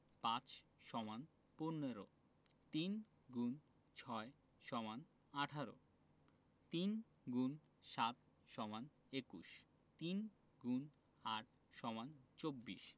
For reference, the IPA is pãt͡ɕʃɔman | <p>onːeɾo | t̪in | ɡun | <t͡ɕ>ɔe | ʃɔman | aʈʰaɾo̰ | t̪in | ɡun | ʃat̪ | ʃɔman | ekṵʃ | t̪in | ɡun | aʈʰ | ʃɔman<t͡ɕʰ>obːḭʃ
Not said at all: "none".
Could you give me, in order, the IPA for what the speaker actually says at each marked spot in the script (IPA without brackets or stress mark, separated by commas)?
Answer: p, t͡ɕʰ, t͡ɕ